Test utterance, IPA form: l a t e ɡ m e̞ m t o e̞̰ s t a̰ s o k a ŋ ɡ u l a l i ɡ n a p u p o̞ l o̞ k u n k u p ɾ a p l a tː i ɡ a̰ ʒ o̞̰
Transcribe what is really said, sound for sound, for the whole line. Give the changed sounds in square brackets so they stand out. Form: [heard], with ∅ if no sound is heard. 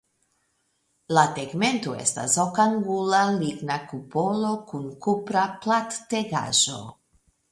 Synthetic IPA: l a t e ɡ m e̞ [n] t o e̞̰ s t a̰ s o k a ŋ ɡ u l a l i ɡ n a [k] u p o̞ l o̞ k u n k u p ɾ a p l a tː [e] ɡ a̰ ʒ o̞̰